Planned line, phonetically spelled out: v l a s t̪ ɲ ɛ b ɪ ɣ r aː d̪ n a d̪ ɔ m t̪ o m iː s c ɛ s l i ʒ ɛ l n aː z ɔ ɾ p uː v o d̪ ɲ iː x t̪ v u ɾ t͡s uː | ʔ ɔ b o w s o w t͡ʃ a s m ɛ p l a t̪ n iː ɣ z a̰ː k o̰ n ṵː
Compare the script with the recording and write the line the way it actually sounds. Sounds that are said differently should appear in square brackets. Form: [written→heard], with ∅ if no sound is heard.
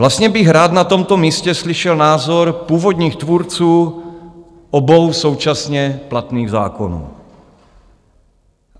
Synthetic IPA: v l a s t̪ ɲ ɛ b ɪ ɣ [r→ɾ] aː d̪ n a [d̪→t̪] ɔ m t̪ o m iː s c ɛ s l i [ʒ→ʃ] ɛ l n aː z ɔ ɾ p uː v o d̪ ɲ iː x t̪ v u ɾ t͡s uː | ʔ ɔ b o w s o w t͡ʃ a s [m→ɲ] ɛ p l a t̪ n iː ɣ z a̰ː k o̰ n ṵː

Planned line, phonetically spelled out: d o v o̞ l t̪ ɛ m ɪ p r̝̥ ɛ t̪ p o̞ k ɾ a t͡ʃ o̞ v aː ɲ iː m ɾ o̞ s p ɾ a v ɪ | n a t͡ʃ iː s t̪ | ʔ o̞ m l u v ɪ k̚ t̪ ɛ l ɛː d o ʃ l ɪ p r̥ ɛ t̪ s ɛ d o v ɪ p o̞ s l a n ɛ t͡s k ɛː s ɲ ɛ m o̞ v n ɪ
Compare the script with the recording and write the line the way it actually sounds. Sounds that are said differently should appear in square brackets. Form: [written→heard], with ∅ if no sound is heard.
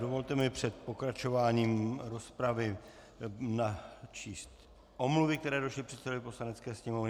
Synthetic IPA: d o v o̞ l t̪ ɛ m ɪ p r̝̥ ɛ t̪ p o̞ k ɾ a t͡ʃ o̞ v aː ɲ iː m ɾ o̞ s p ɾ a v ɪ | n a t͡ʃ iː s t̪ | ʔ o̞ m l u v ɪ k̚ t̪ ɛ [l→ɾ] ɛː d o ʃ l ɪ p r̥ ɛ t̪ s ɛ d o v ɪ p o̞ s l a n ɛ t͡s k ɛː s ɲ ɛ m o̞ v n ɪ

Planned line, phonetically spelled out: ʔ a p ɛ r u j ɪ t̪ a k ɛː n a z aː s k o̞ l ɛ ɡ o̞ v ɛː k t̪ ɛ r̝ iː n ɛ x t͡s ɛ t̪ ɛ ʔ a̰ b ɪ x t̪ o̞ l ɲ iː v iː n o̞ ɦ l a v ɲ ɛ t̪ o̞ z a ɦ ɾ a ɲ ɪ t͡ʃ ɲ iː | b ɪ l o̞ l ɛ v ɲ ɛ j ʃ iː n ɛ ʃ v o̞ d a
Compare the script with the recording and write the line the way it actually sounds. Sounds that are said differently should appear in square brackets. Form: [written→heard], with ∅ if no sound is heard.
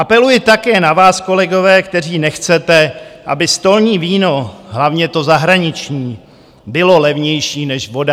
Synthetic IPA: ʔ a p ɛ [r→l] u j ɪ t̪ a k ɛː n a [z→v] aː s k o̞ l ɛ ɡ o̞ v ɛː k t̪ ɛ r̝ iː n ɛ x t͡s ɛ t̪ ɛ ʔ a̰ b ɪ [x→s] t̪ o̞ l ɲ iː v iː n o̞ ɦ l a v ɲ ɛ t̪ o̞ z a ɦ ɾ a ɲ ɪ t͡ʃ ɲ iː | b ɪ l o̞ l ɛ v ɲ ɛ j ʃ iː n ɛ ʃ v o̞ d a

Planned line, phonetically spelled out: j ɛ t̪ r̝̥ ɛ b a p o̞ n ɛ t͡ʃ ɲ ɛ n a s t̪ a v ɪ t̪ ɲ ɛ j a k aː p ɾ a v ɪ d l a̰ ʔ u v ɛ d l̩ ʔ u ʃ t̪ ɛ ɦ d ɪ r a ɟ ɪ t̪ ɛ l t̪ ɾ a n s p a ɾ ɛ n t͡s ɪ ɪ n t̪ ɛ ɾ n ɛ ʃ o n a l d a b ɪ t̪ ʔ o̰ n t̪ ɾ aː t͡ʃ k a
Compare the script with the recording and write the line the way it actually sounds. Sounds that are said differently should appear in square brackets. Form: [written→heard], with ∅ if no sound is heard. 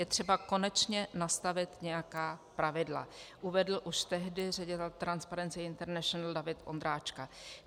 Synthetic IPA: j ɛ t̪ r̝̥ ɛ b a [p→k] o̞ n ɛ t͡ʃ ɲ ɛ n a s t̪ a v ɪ t̪ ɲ ɛ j a k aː p ɾ a v ɪ d l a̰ ʔ u v ɛ d l̩ ʔ u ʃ t̪ ɛ ɦ d ɪ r [a→ɛ] ɟ ɪ t̪ ɛ l t̪ ɾ a n s p a ɾ ɛ n t͡s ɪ ɪ n t̪ ɛ ɾ n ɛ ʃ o n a l d a [b→v] ɪ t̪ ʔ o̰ n [t̪→d̪] ɾ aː t͡ʃ k a

